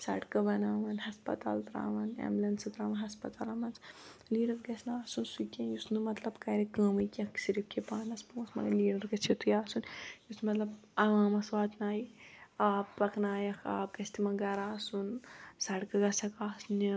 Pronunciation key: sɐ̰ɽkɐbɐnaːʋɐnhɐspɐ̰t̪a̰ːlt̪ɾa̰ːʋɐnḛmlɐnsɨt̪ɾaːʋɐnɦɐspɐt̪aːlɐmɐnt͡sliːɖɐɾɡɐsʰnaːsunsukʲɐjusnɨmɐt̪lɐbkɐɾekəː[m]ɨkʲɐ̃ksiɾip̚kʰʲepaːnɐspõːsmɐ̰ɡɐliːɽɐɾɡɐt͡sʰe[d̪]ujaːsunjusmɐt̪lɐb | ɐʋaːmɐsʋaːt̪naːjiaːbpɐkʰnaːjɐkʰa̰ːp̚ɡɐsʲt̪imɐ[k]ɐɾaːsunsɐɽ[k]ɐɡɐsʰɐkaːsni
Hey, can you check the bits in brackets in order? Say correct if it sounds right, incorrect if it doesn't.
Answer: correct, incorrect: t̪, incorrect: ɡ, correct

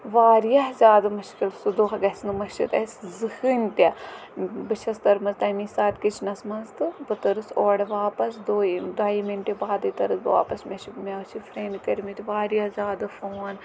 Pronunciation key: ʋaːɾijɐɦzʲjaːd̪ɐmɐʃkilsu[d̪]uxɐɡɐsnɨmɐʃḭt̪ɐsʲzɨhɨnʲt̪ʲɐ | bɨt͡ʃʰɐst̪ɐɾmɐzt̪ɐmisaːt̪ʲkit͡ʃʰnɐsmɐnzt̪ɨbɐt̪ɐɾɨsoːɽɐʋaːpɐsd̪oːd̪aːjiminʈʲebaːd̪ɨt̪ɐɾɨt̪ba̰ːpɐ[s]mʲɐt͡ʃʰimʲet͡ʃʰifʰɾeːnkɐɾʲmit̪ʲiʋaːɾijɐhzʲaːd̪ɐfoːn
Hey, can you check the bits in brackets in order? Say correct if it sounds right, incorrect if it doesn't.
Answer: correct, correct

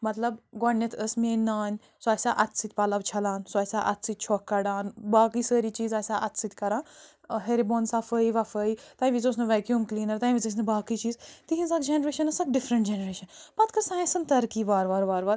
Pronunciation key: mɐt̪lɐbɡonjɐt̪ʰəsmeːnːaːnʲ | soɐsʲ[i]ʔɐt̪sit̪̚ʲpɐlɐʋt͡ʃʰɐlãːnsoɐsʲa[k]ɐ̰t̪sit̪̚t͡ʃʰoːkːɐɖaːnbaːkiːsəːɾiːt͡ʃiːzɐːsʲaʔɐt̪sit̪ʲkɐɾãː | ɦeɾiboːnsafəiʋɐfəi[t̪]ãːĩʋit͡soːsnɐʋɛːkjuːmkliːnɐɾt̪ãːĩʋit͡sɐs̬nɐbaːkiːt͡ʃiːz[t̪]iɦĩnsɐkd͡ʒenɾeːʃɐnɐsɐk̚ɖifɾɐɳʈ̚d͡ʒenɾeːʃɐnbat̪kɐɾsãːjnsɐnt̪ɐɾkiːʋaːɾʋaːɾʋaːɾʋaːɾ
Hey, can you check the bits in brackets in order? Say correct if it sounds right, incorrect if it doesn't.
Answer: incorrect: a, incorrect: ʔ, correct, correct

